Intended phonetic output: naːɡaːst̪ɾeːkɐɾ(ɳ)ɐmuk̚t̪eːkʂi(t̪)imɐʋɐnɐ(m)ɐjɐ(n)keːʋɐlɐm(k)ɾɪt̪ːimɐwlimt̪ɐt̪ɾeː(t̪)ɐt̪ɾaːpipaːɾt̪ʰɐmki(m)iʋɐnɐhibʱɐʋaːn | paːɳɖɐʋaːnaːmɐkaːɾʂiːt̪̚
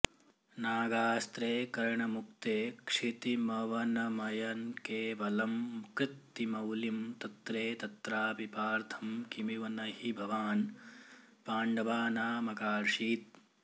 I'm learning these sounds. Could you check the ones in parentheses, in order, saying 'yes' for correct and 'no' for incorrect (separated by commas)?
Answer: yes, yes, yes, yes, yes, yes, yes